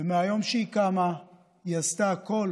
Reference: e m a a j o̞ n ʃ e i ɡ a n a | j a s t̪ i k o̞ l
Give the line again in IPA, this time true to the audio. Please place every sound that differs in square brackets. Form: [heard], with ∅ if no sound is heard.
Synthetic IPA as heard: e m [e] a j o̞ [m] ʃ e i [k] a [m] a | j a s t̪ [a] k o̞ l